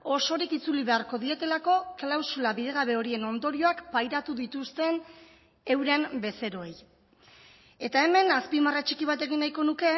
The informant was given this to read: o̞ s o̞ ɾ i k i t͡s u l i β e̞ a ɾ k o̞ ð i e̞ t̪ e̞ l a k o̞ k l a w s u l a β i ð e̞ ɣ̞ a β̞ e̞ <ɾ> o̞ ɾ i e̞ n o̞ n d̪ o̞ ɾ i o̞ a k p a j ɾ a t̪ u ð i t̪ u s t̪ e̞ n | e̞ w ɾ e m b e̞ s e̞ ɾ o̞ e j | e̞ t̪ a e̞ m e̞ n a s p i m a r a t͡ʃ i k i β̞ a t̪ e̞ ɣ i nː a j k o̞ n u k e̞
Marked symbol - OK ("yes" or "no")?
no